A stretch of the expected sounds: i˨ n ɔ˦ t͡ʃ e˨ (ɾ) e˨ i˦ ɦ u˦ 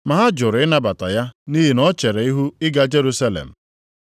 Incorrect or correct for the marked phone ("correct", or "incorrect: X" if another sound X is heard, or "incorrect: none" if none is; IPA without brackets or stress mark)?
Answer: correct